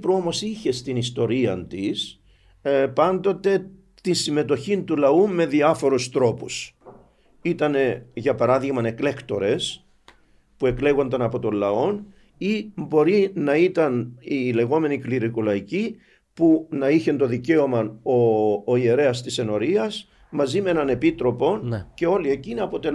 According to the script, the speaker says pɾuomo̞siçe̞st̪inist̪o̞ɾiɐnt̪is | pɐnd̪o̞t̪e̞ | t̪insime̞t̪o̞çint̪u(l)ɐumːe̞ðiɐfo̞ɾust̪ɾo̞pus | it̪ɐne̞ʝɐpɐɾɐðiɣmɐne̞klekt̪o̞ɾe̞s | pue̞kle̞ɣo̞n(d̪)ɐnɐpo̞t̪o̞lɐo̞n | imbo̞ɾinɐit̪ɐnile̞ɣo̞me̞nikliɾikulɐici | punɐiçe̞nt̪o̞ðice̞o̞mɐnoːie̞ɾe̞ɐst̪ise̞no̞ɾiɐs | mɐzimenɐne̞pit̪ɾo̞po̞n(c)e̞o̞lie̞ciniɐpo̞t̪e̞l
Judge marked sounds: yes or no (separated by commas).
yes, yes, yes